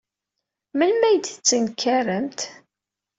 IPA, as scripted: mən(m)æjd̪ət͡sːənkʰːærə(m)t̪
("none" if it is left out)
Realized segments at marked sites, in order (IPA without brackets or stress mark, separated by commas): m, m